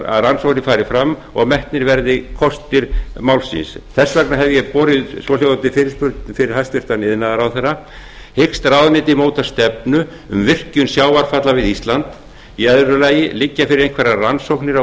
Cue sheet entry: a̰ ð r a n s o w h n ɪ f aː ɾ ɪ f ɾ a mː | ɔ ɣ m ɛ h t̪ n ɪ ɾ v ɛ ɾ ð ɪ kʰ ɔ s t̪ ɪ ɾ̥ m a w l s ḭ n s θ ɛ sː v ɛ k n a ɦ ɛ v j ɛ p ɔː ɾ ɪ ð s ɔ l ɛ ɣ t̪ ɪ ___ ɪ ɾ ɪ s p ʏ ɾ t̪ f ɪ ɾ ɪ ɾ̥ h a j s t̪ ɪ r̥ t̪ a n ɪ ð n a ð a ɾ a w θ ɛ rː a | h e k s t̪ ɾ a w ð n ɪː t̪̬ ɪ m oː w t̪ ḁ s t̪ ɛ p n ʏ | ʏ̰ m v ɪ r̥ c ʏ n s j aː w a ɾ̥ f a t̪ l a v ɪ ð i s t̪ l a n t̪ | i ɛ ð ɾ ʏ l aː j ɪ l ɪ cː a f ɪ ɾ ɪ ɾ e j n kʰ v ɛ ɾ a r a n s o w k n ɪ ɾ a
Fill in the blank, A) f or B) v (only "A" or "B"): A